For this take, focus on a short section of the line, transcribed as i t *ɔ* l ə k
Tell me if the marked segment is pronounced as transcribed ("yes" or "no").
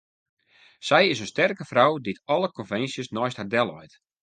yes